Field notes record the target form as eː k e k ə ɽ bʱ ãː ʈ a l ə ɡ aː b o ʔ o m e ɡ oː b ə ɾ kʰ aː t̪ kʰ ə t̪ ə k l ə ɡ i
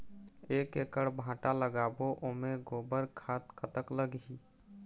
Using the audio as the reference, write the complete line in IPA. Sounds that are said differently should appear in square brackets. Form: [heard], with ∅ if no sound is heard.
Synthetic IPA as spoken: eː k e k ə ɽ bʱ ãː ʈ a l ə ɡ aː b o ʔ o m e ɡ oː b ə ɾ kʰ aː t̪ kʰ ə t̪ ə k l ə ɡ i